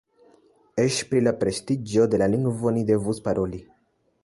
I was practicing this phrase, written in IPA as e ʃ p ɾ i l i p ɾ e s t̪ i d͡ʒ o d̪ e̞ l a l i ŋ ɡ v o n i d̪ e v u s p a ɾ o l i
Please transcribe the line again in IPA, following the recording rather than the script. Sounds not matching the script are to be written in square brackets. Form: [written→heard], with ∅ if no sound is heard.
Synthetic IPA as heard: e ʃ p ɾ i l [i→a] p ɾ e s t̪ i d͡ʒ o d̪ e̞ l a l i ŋ ɡ v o n i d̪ e v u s p a ɾ o l i